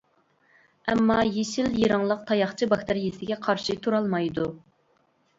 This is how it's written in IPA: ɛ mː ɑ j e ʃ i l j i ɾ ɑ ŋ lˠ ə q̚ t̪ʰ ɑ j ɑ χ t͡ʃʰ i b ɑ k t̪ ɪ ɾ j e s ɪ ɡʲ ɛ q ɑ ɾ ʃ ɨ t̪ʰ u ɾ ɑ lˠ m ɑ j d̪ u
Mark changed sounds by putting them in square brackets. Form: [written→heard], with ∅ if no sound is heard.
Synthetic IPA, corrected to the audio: ɛ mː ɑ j e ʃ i l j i ɾ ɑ ŋ lˠ ə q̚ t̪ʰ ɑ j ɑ χ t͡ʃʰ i b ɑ k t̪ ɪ ɾ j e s ɪ ɡʲ ɛ [q→qʰ] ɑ ɾ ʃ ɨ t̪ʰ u ɾ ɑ lˠ m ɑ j d̪ u